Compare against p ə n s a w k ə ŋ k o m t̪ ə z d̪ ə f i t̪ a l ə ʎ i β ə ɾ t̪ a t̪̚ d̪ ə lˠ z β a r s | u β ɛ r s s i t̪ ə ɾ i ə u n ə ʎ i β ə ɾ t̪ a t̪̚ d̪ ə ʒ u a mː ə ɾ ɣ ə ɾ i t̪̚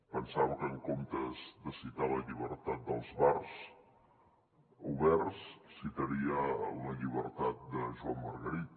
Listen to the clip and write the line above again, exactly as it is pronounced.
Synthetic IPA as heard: p ə n s a w k ə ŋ k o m t̪ ə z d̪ ə s i t̪ a l ə ʎ i β ə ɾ t̪ a t̪̚ d̪ ə lˠ z β a r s | u β ɛ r s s i t̪ ə ɾ i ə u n ə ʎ i β ə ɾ t̪ a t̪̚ d̪ ə ʒ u a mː ə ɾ ɣ ə ɾ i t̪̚

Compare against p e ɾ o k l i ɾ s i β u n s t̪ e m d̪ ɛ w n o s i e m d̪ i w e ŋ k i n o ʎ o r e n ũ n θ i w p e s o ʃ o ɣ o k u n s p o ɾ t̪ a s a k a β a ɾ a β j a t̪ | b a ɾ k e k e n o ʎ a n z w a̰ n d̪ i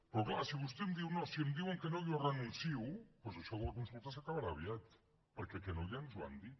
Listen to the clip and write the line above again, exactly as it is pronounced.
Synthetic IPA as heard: p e ɾ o k l a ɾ s i β u s t̪ e m d̪ i w n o s i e m d̪ i w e ŋ k e n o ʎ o r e n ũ n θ i w p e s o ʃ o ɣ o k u n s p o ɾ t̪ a s a k a β a ɾ a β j a t̪ | p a ɾ k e k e n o ʎ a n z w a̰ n d̪ i

